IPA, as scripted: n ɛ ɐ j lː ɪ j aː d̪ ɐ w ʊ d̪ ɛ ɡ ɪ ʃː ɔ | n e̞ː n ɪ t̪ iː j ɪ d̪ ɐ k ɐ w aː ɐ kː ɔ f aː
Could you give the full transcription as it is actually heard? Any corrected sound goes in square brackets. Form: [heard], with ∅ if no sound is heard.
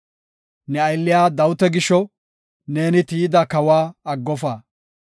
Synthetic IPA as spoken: n ɛ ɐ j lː ɪ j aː d̪ ɐ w ʊ [t̪] ɛ ɡ ɪ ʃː ɔ | n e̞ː n ɪ t̪ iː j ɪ d̪ ɐ k ɐ w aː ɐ [ɡː] ɔ f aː